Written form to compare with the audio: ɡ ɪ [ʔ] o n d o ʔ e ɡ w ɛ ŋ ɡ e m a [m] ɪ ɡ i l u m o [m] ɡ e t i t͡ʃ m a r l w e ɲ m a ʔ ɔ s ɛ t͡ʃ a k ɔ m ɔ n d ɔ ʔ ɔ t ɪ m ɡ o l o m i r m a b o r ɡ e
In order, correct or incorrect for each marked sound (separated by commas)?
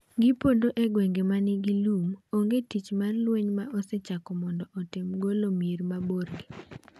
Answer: incorrect, incorrect, incorrect